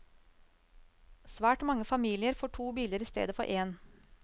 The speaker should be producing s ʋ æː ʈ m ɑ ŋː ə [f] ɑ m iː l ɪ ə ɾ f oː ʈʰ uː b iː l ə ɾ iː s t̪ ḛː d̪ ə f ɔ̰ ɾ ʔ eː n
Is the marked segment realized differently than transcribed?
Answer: no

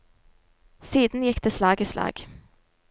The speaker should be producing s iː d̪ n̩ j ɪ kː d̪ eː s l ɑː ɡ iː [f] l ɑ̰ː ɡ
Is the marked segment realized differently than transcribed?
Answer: yes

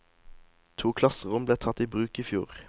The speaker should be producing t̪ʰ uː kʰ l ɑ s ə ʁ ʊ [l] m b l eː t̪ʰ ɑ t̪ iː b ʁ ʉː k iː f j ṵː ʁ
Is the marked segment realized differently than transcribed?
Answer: yes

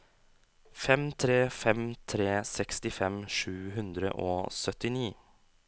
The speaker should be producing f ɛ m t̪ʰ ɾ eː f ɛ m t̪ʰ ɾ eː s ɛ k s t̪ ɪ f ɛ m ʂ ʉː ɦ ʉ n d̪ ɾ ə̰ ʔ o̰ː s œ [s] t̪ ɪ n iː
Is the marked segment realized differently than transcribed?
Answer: yes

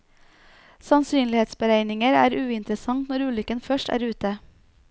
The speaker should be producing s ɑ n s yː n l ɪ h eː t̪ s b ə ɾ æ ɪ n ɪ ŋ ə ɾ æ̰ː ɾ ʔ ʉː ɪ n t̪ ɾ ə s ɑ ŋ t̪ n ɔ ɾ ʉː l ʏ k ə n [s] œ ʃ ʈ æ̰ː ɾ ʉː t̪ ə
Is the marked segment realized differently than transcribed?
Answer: yes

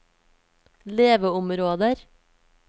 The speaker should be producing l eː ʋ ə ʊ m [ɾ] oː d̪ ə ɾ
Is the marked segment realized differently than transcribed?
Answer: no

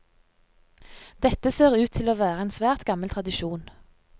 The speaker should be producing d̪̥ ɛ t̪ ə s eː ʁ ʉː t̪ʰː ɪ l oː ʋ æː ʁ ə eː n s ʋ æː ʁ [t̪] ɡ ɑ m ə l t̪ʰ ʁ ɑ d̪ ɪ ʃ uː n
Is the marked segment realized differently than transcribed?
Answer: no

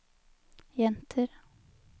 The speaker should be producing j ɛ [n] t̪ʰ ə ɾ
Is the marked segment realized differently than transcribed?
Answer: no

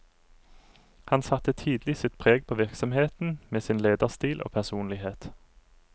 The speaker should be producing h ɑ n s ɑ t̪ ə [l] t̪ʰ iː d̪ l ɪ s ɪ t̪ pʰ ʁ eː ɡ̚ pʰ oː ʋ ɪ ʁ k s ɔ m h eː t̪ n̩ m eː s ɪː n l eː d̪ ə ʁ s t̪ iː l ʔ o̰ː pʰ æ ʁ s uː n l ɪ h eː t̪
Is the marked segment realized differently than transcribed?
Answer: yes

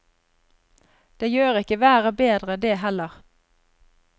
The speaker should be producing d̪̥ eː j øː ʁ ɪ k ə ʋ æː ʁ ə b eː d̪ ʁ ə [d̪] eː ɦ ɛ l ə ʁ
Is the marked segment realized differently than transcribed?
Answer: no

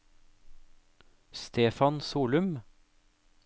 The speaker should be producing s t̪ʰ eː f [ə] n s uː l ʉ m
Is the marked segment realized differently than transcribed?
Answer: yes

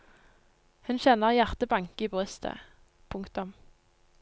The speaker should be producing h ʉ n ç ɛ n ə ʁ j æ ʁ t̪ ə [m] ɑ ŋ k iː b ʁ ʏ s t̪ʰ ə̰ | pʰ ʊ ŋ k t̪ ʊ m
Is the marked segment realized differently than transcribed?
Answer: yes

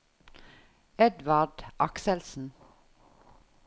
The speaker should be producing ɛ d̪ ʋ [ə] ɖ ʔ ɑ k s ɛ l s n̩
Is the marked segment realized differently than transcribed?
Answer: yes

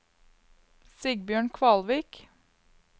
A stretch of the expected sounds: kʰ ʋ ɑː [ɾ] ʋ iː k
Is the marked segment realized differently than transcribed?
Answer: yes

